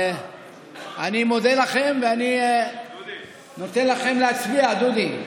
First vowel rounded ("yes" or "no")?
no